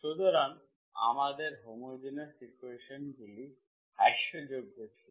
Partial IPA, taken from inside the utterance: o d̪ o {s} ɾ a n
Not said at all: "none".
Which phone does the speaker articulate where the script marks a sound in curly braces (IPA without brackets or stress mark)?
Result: none